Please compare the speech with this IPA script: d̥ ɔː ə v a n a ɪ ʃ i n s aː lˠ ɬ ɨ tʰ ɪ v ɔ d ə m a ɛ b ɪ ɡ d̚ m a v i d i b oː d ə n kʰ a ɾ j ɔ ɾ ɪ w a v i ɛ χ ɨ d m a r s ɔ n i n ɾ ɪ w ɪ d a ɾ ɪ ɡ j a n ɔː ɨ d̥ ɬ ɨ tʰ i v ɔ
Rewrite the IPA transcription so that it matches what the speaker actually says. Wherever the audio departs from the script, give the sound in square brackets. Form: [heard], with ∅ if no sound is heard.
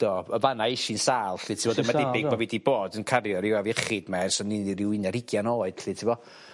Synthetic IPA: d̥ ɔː ə v a n a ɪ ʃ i n s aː lˠ ɬ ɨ tʰ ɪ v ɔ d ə m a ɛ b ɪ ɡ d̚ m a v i d i b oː d ə n kʰ a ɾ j ɔ ɾ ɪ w a v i ɛ χ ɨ d m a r s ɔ n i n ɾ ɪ w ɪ [n] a ɾ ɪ ɡ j a n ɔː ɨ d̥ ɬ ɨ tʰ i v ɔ